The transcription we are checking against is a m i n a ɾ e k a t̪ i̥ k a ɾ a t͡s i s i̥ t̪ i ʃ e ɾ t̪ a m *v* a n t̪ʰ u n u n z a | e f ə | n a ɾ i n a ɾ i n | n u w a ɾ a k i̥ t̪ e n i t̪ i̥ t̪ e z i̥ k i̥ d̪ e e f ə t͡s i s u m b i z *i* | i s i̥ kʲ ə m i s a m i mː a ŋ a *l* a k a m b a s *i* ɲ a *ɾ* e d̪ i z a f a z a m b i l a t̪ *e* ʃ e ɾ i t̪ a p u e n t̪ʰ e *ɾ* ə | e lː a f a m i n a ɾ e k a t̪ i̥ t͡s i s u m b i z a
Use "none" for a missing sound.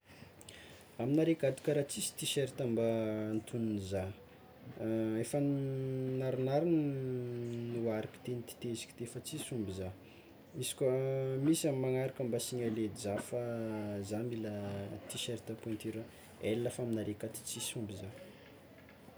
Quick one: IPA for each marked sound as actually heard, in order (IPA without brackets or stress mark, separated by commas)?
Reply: b, a, ɾ, i, l, i, ɾ